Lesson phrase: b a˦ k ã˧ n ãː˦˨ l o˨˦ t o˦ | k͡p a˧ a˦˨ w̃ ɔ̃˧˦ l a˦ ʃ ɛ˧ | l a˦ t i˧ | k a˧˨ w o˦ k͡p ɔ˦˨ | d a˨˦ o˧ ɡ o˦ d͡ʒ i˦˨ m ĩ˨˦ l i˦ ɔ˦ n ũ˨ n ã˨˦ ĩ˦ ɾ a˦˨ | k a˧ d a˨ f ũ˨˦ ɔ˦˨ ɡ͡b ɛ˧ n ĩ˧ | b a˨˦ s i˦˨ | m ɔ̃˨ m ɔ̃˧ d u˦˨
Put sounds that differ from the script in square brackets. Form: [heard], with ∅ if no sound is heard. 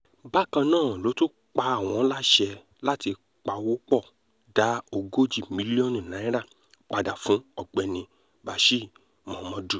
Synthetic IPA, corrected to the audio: b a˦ k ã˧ n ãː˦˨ l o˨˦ t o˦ | k͡p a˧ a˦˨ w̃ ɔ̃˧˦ l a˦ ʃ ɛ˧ | l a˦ t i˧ | [k͡p] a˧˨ w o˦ k͡p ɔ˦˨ | d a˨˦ o˧ ɡ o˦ d͡ʒ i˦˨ m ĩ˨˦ l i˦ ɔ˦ n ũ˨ n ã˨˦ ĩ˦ ɾ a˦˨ | [k͡p] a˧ d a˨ f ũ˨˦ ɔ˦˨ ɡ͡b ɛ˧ n ĩ˧ | b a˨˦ [ʃ] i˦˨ | m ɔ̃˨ m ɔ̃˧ d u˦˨